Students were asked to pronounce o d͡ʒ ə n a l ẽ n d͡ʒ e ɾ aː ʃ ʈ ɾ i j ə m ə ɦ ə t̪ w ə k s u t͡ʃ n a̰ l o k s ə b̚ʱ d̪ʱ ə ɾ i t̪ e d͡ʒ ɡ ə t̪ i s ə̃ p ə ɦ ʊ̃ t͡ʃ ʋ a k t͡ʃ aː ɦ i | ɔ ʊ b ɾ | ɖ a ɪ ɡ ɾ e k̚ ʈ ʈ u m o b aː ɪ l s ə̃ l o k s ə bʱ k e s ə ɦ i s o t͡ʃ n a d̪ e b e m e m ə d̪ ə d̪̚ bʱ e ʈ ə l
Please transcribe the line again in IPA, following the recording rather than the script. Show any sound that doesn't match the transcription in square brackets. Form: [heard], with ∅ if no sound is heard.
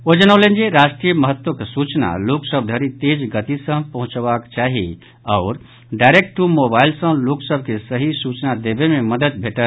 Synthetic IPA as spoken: o d͡ʒ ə n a l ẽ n d͡ʒ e ɾ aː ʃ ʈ ɾ i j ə m ə ɦ ə t̪ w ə k s u t͡ʃ n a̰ l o k s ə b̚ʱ d̪ʱ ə ɾ i t̪ e d͡ʒ ɡ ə t̪ i s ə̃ p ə ɦ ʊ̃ t͡ʃ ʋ a k t͡ʃ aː ɦ i | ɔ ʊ [∅] ɾ | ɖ a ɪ [∅] ɾ e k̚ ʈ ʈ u m o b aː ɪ l s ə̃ l o k s ə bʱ k e s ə ɦ i s [u] t͡ʃ n a d̪ e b e m e m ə d̪ ə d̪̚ bʱ e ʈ ə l